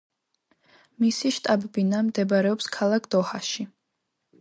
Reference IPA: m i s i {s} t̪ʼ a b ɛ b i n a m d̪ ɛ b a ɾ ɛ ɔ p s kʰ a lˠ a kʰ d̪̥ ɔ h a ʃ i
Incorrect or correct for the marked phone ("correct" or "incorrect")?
incorrect